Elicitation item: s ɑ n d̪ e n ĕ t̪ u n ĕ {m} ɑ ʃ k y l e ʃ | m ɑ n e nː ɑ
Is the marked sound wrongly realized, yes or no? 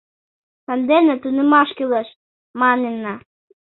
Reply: no